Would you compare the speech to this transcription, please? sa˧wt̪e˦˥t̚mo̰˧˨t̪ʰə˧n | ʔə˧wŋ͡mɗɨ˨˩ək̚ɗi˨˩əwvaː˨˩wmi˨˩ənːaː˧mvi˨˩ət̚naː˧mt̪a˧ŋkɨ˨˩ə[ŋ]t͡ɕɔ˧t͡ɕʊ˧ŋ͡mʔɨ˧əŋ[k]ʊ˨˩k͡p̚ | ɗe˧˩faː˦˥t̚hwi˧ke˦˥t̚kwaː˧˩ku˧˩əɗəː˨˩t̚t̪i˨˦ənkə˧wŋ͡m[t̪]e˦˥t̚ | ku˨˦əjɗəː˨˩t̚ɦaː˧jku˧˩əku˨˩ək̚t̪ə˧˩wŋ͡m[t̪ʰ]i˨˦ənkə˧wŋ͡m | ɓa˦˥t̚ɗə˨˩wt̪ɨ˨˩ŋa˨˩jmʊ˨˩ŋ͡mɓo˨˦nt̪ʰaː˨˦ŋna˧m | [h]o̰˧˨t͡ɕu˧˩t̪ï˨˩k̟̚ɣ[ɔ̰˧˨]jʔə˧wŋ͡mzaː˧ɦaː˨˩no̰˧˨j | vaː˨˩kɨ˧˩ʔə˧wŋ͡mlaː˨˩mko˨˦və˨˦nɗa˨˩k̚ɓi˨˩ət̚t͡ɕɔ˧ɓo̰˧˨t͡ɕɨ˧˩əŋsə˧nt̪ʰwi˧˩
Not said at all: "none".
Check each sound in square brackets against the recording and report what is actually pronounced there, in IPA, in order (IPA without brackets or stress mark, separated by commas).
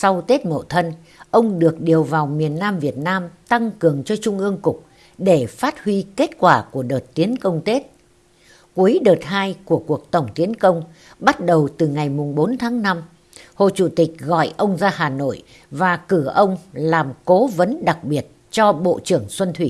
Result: ŋ, k, t̪, t̪, h, ɔ̰˧˨